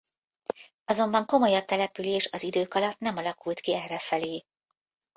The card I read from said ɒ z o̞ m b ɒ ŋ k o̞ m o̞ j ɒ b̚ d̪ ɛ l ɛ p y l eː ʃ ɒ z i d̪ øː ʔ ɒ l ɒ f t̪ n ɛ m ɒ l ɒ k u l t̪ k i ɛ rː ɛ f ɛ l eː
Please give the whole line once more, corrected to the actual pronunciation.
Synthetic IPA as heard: ɒ z o̞ m b ɒ ŋ k o̞ m o̞ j ɒ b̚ t̪ ɛ l ɛ p y l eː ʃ ɒ z i d̪ øː k ɒ l ɒ t̪ n ɛ m ɒ l ɒ k u l t̪ k i ɛ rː ɛ f ɛ l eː